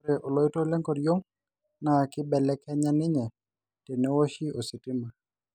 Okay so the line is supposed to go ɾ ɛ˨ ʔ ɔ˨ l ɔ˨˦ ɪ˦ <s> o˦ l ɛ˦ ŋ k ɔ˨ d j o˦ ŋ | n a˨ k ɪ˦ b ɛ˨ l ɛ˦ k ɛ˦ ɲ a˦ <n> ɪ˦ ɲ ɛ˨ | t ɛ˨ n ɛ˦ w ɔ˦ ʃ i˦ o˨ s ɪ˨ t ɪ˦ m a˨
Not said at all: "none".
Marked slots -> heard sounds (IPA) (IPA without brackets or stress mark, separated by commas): t, n